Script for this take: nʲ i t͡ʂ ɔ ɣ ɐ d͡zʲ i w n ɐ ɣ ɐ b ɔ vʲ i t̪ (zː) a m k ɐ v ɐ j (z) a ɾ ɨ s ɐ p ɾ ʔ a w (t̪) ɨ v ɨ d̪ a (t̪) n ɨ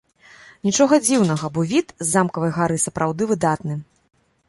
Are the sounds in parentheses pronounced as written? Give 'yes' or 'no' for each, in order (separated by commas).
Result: yes, no, no, yes